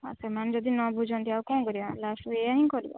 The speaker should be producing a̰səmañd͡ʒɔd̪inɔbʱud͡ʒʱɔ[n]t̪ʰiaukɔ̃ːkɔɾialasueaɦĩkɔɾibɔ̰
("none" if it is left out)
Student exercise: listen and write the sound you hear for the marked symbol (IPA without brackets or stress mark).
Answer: n